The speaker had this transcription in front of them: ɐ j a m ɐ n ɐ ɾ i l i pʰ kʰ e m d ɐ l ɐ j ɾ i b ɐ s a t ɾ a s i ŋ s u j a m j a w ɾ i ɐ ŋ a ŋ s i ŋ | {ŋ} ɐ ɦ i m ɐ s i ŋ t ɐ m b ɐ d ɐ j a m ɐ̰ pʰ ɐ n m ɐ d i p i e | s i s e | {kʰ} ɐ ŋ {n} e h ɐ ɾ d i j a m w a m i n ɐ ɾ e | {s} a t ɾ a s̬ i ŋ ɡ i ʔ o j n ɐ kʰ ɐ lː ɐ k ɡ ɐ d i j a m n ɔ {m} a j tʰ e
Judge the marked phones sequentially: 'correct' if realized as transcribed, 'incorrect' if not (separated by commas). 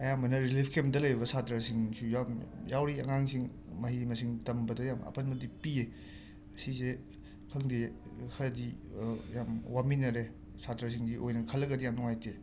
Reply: incorrect, correct, incorrect, correct, incorrect